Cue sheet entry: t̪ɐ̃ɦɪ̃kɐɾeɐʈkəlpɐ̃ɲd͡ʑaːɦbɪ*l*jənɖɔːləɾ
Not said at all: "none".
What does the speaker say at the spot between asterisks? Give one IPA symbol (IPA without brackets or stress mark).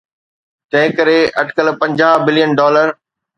l